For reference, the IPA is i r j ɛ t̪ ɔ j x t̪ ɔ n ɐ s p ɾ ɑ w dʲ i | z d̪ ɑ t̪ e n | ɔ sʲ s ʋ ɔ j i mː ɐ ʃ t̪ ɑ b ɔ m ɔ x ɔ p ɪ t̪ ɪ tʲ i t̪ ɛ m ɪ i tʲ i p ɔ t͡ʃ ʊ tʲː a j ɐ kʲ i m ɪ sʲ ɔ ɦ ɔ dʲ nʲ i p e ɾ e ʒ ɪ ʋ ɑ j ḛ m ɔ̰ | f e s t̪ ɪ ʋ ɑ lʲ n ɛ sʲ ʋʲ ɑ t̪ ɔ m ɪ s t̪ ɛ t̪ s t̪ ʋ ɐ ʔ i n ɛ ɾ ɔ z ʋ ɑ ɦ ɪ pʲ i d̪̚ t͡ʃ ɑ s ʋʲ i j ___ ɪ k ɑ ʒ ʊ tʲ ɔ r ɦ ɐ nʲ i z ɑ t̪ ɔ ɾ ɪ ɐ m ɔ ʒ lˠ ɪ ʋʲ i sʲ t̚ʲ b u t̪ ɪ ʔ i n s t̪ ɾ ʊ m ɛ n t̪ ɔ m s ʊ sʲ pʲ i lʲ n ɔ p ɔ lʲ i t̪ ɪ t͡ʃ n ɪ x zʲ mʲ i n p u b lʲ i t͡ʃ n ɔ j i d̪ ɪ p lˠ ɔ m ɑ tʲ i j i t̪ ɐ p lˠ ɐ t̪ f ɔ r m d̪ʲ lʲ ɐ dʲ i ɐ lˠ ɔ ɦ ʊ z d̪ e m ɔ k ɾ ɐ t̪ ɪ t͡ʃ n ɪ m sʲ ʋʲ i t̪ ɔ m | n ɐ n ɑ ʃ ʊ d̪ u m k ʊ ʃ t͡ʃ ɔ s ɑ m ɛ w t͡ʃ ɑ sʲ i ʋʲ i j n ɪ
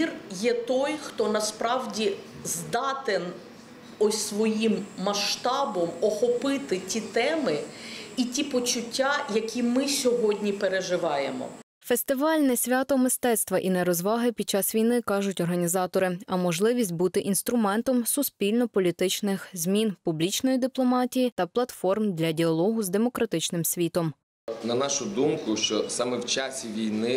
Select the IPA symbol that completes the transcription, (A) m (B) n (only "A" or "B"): B